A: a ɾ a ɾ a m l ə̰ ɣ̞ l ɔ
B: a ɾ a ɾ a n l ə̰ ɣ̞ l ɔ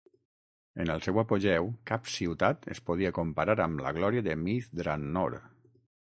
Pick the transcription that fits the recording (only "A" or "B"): A